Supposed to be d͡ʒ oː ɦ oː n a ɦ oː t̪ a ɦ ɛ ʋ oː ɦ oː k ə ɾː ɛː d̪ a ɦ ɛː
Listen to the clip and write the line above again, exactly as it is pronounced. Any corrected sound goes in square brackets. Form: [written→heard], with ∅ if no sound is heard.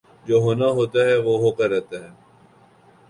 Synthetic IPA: d͡ʒ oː ɦ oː n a ɦ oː t̪ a ɦ ɛ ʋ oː ɦ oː k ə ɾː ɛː [d̪→t̪] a ɦ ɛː